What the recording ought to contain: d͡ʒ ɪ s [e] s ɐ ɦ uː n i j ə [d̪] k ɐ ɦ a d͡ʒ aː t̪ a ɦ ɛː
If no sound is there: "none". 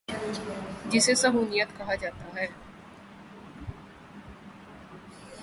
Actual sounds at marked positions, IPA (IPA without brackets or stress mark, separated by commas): e, t̪